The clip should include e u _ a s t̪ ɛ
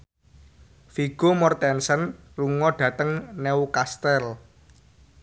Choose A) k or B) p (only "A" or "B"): A